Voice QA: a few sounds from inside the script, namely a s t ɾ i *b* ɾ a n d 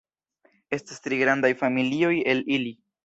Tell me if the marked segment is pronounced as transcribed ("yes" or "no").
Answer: no